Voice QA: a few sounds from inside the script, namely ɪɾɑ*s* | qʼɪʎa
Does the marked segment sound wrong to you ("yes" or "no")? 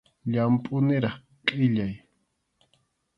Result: yes